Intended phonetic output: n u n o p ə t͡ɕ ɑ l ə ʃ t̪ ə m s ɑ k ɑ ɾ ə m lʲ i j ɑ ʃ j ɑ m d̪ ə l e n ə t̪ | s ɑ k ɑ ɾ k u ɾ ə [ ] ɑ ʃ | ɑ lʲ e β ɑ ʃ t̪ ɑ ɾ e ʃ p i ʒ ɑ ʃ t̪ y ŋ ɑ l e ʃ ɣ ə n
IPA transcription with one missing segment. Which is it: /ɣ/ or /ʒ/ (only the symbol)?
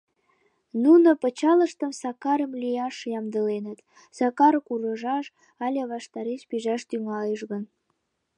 ʒ